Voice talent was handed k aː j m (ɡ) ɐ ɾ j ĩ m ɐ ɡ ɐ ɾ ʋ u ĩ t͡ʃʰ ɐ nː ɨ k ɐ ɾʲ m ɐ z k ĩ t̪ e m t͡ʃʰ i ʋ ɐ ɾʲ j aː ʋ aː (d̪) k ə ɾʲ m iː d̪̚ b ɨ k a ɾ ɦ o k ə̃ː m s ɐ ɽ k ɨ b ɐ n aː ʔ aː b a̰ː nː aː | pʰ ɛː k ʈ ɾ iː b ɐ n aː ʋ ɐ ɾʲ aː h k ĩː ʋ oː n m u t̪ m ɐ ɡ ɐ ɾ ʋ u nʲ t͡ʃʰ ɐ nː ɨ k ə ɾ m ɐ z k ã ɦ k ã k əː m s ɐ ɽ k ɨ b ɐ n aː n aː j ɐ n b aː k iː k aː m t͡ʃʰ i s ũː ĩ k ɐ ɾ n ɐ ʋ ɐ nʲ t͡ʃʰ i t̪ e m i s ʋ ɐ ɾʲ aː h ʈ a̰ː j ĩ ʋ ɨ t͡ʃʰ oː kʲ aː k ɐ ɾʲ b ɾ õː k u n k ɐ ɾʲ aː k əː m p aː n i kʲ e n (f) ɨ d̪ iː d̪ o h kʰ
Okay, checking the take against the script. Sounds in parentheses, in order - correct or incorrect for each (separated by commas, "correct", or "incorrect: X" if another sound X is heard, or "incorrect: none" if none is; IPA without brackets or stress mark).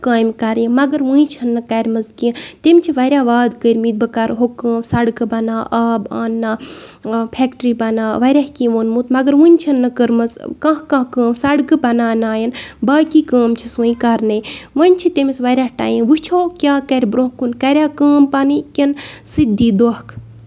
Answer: incorrect: k, correct, incorrect: s